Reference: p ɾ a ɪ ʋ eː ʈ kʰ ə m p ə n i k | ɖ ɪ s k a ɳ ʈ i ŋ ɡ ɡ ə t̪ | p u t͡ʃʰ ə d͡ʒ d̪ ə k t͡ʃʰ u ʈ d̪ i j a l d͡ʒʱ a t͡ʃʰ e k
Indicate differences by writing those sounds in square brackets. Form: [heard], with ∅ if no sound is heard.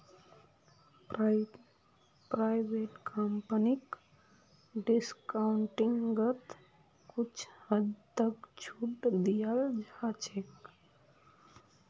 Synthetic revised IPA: p ɾ a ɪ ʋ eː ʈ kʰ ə m p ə n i k | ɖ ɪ s k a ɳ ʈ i ŋ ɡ ɡ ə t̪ | [k] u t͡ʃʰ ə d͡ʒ [t̪] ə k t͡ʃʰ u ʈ d̪ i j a l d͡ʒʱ a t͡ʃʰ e k